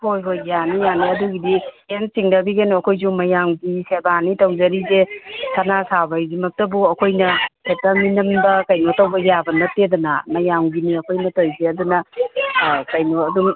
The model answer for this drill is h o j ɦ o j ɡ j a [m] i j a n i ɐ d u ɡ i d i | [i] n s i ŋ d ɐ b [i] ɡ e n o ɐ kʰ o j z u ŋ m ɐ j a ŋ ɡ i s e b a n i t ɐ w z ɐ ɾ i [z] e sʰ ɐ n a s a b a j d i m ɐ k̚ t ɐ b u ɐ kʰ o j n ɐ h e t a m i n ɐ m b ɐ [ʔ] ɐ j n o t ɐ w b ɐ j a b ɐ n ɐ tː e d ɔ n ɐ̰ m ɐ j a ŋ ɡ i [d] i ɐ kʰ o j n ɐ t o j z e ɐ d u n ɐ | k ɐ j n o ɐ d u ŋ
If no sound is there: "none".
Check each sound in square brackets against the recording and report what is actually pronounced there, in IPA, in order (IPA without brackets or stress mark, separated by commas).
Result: n, e, i, z, k, n